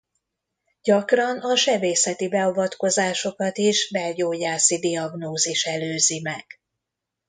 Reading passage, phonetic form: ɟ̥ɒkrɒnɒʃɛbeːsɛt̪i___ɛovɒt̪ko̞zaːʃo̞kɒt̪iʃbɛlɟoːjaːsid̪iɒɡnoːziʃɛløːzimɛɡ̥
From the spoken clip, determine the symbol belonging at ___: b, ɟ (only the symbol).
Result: b